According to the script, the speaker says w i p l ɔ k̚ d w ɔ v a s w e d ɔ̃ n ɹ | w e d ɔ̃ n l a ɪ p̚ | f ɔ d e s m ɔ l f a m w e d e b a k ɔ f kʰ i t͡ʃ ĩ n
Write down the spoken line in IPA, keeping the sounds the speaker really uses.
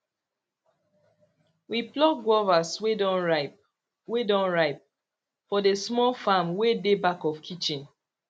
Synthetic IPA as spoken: w i p l ɔ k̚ ɡ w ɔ v a s w e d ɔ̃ n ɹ | w e d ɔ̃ n ɹ a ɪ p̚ | f ɔ d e s m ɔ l f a m w e d e b a k ɔ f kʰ i t͡ʃ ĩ n